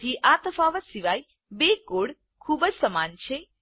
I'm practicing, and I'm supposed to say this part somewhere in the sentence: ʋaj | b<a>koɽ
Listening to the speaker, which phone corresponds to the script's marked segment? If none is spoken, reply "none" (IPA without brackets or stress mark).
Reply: e